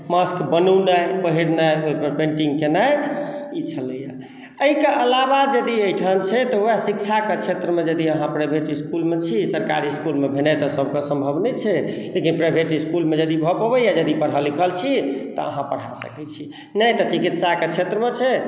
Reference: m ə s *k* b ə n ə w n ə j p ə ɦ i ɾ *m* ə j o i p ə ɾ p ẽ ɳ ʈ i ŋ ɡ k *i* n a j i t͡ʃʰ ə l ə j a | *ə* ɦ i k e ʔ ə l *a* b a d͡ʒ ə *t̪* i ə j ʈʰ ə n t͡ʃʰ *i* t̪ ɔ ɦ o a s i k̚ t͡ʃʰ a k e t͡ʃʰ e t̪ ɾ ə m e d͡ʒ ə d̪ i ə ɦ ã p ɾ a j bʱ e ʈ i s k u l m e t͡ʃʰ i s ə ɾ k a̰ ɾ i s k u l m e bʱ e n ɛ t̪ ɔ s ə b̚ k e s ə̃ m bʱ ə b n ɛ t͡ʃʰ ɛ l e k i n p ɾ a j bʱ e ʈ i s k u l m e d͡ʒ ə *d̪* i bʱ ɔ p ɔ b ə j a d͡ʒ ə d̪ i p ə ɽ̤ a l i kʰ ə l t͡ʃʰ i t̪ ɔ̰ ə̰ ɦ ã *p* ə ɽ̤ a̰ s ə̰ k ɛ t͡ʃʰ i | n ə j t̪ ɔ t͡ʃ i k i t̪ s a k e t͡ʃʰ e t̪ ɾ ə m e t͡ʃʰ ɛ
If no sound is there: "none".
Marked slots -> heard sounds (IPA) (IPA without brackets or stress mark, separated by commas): k, n, e, ə, a, d̪, ɛ, d̪, p